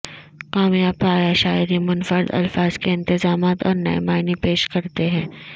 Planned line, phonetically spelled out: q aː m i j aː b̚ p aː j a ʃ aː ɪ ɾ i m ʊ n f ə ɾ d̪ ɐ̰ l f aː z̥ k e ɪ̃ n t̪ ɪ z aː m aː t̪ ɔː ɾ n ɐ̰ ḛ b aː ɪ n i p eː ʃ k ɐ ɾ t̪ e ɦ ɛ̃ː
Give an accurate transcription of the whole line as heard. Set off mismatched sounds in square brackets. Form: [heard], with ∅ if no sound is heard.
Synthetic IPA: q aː m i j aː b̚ p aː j a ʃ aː ɪ ɾ i m ʊ n f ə ɾ d̪ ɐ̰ l f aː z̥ k e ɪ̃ n t̪ ɪ z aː m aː t̪ ɔː ɾ n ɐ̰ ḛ [m] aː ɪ n i p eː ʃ k ɐ ɾ t̪ e ɦ ɛ̃ː